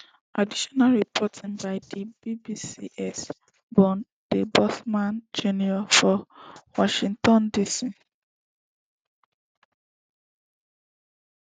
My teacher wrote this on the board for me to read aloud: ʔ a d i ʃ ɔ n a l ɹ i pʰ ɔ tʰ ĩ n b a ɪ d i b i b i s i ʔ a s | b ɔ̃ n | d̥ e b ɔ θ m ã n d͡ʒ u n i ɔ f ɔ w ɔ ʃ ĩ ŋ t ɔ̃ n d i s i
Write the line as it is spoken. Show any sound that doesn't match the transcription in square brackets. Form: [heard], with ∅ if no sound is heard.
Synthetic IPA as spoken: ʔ a d i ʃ ɔ n a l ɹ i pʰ ɔ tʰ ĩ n b a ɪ d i b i b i s i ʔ [ɛ] s | b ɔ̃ n | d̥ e b ɔ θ m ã n d͡ʒ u n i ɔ f ɔ w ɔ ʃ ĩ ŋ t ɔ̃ n d i s i